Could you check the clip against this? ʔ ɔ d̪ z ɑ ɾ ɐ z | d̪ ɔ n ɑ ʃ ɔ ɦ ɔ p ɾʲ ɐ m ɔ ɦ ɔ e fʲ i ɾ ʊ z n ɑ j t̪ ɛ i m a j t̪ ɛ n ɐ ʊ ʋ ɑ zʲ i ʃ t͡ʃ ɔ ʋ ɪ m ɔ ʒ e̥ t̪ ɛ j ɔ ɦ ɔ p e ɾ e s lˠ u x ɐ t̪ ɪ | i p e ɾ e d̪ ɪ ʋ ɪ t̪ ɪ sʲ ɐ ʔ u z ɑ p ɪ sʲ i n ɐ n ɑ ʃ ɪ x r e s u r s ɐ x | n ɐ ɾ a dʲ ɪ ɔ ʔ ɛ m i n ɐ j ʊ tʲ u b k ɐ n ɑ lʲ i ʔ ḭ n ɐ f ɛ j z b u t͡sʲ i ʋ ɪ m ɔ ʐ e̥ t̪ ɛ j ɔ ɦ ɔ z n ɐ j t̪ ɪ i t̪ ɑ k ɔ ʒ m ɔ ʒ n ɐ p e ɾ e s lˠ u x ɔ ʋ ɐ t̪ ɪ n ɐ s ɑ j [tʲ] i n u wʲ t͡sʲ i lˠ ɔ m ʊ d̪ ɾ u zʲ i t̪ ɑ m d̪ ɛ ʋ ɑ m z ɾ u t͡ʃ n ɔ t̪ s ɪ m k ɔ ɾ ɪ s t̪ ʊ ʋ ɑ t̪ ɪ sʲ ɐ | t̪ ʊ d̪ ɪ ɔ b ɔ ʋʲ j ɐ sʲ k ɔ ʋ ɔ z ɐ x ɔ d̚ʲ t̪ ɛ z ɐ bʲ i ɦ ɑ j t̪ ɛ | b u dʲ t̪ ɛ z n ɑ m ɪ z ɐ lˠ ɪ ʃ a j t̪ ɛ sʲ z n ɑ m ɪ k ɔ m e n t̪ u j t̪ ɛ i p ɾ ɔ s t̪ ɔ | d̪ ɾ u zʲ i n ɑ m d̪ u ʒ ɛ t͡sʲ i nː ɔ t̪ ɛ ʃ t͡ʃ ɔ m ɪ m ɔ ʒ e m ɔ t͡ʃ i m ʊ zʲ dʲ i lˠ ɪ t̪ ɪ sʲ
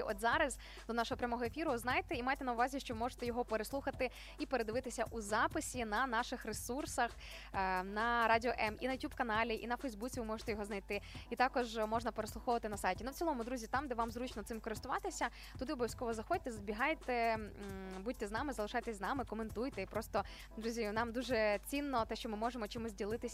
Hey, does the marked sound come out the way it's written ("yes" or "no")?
yes